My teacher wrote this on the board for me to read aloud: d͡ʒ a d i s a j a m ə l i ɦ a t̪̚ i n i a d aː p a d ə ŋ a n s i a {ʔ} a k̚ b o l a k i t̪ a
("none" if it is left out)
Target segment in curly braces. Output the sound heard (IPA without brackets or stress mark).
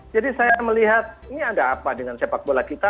p